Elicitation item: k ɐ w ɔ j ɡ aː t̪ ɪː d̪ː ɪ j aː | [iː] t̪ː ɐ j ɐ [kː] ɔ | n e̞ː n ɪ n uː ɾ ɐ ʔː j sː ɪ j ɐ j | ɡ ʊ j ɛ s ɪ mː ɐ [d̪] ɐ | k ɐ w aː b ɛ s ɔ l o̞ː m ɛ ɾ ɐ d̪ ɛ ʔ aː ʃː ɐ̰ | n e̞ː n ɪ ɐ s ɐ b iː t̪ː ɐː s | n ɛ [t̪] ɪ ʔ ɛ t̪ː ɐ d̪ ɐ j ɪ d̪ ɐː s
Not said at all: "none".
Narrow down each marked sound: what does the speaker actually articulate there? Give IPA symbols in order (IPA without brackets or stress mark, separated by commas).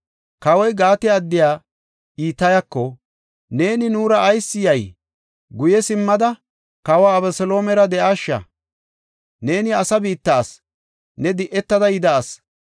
iː, kː, d̪, d̪